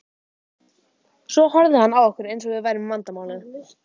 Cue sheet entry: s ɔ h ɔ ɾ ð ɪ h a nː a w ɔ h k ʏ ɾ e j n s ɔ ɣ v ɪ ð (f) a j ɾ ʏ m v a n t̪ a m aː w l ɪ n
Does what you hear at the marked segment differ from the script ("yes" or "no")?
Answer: yes